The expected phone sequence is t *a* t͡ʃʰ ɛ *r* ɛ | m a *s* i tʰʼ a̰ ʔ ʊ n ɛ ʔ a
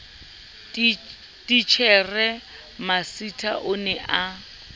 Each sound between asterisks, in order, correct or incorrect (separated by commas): incorrect, correct, correct